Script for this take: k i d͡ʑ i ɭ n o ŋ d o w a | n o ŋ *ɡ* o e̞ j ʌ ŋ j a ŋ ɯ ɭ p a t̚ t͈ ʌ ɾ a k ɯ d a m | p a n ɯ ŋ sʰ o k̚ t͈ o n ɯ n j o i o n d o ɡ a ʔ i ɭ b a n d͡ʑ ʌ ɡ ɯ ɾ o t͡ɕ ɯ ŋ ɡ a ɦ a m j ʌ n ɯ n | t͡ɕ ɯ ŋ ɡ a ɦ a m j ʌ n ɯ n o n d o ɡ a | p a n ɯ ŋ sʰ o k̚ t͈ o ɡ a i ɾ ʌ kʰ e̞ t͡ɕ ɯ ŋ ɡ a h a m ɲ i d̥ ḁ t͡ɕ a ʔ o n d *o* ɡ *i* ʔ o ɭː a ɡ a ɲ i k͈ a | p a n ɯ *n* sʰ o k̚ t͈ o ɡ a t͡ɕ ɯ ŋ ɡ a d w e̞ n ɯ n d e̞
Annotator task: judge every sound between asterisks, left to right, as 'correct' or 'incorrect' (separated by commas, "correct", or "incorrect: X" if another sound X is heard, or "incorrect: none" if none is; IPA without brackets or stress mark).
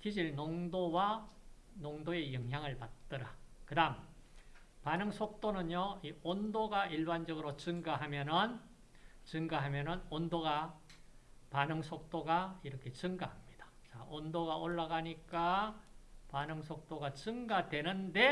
incorrect: d, correct, incorrect: a, incorrect: ŋ